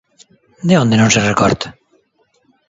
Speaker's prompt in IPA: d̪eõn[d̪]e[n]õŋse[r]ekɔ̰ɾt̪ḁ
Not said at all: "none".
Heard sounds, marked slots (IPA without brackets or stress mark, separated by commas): d̪, n, r